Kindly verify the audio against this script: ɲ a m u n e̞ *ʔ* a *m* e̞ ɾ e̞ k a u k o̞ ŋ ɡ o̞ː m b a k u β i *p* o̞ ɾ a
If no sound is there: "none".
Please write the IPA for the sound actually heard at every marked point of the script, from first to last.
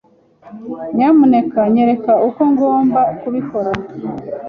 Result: k, ɲ, k

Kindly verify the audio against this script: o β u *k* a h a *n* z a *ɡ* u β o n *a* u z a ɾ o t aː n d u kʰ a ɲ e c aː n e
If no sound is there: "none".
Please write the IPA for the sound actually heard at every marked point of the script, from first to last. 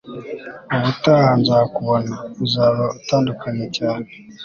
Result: t, n, k, a

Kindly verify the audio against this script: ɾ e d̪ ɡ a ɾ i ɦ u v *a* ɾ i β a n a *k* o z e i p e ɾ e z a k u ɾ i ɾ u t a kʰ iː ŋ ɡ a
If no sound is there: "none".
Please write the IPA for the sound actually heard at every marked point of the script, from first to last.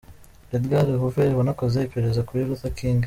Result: e, k

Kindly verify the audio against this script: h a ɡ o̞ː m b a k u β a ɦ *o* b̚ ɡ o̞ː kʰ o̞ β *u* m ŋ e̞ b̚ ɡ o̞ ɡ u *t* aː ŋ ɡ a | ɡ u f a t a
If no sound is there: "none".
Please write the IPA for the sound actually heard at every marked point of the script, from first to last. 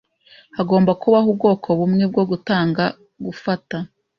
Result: u, u, t

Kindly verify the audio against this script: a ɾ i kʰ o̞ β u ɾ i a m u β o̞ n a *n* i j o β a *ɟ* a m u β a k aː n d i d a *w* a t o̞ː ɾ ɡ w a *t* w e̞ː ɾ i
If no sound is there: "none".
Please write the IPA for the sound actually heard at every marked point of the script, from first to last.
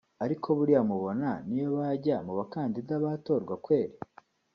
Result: n, ɟ, β, k

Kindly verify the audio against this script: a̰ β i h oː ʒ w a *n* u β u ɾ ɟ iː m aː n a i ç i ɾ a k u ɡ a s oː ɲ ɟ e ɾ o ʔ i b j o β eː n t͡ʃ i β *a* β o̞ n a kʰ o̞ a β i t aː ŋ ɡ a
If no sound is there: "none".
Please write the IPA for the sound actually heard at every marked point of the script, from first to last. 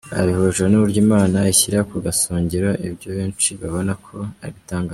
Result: n, a

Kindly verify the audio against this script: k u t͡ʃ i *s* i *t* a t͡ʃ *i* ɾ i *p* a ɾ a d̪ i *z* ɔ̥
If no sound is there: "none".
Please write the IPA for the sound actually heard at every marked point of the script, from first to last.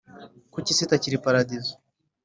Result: s, t, i, p, z

